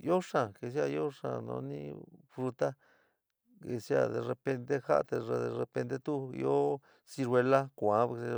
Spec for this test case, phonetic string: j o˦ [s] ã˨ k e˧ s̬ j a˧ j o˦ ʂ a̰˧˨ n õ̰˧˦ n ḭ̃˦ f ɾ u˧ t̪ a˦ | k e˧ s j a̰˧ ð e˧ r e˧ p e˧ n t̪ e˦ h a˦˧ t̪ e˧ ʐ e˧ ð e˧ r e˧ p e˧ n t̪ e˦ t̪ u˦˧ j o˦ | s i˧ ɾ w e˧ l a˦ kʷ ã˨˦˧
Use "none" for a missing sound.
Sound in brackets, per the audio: ʂ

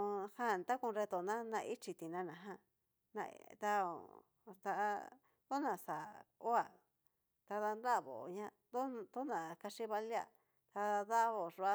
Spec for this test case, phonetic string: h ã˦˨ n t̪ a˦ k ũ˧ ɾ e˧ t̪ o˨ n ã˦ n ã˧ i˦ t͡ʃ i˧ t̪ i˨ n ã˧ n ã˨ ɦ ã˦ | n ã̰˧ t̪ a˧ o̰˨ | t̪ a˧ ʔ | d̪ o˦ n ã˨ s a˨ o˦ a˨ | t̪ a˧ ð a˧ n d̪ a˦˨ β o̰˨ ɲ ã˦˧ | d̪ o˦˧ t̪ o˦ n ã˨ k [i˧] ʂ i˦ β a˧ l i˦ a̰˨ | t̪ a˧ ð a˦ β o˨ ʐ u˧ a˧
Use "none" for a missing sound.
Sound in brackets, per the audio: a˧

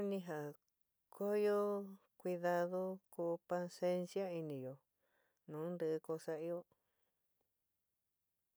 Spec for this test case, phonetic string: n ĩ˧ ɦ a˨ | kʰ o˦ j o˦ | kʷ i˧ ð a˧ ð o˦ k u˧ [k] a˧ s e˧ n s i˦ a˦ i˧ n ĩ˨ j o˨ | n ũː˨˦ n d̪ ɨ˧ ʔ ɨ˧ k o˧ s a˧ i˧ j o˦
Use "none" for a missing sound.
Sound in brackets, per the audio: p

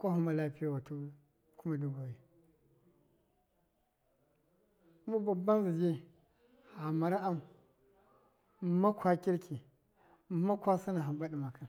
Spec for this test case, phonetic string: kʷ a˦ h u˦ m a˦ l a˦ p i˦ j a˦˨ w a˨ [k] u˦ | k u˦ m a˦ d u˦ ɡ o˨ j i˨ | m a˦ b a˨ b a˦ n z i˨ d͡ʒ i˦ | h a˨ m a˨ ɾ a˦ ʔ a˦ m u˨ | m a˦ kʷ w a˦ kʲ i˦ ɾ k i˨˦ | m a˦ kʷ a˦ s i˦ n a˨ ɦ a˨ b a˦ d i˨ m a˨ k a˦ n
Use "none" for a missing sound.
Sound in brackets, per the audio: t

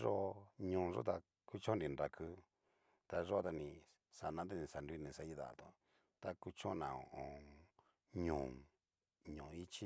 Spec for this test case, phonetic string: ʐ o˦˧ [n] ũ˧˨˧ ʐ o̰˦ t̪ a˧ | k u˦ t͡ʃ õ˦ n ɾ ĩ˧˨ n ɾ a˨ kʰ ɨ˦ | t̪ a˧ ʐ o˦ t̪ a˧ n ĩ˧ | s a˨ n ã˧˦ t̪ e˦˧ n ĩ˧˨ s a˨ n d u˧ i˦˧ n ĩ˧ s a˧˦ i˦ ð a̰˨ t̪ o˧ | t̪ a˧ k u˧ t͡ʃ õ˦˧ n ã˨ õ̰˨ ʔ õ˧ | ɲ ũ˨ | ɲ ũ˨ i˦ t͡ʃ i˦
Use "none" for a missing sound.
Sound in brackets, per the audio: ɲ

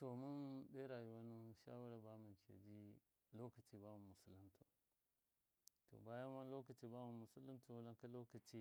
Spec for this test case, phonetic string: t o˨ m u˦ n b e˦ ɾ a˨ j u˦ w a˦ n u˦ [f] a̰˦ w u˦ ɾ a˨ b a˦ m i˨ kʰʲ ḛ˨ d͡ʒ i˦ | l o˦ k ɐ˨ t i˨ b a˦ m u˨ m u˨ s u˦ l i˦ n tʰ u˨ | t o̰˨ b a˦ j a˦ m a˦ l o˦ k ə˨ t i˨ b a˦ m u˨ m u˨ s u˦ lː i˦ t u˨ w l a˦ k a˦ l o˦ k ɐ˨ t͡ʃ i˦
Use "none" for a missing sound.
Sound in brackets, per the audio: ʃ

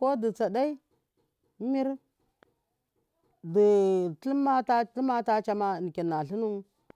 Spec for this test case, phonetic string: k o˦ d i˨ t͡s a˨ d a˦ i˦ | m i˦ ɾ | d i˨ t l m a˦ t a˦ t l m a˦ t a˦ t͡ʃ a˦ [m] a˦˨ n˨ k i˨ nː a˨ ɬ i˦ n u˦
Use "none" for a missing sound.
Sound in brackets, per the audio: m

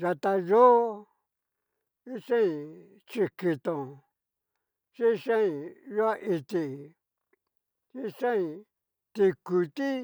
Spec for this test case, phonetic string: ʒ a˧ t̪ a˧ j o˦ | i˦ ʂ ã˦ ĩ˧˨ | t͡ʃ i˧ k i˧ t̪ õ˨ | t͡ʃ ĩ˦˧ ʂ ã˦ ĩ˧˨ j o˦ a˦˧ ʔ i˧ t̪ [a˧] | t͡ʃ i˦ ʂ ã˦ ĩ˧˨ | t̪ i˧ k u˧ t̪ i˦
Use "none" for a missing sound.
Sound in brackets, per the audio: i˧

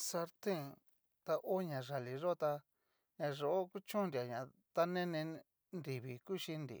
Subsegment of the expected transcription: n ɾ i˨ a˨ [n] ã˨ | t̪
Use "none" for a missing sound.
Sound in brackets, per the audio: ɲ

